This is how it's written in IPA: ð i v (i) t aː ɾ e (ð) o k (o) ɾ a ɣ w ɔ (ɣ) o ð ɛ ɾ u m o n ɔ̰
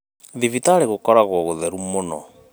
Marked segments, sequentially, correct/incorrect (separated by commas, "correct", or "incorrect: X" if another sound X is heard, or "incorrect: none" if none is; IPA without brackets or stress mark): correct, incorrect: ɣ, incorrect: ɔ, correct